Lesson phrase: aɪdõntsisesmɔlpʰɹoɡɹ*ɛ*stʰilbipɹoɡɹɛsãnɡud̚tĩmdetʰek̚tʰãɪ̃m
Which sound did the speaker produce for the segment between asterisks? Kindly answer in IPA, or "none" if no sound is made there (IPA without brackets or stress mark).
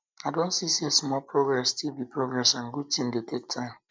ɛ